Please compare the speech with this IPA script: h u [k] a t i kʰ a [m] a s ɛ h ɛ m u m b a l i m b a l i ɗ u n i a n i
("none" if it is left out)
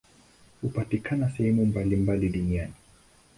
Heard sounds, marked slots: p, n

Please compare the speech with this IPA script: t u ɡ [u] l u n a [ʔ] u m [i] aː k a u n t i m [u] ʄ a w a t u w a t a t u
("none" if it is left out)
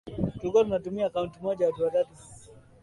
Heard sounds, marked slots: ɔ, t, i, ɔ

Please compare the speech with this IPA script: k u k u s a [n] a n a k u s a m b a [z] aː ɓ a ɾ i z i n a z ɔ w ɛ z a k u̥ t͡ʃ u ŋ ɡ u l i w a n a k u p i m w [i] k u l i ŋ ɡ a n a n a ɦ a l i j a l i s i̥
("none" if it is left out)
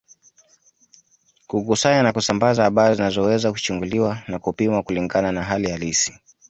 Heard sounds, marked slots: ɲ, z, a

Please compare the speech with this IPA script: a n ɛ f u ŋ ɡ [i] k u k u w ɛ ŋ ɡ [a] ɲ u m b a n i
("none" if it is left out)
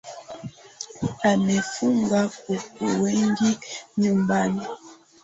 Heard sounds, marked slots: a, i

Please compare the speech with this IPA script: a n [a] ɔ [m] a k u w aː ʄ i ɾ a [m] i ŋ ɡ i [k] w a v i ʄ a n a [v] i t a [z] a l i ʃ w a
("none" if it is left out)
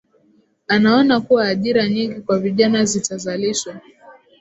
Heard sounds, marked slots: a, n, ɲ, k, z, z

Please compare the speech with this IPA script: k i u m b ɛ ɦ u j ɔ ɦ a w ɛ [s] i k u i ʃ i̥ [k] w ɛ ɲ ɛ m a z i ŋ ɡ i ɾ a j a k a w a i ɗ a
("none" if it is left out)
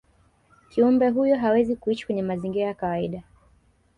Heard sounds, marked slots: z, k

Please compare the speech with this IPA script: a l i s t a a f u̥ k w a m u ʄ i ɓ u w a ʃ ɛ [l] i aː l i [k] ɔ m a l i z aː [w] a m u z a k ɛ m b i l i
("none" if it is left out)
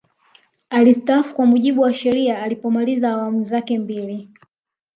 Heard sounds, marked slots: ɾ, p, w

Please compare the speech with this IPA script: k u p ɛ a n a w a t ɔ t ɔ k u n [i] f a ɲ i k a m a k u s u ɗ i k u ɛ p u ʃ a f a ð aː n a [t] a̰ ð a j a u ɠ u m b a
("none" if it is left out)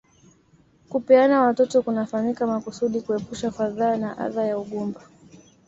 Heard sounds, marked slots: a, ʔ

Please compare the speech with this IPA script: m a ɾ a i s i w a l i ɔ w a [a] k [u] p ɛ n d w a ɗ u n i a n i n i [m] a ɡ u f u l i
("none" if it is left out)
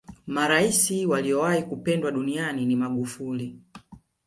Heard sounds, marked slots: i, u, m

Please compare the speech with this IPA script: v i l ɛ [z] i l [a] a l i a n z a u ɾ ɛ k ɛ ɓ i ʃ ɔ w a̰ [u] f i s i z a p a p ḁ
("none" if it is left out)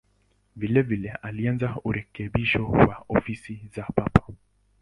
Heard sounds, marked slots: v, ɛ, ɔ

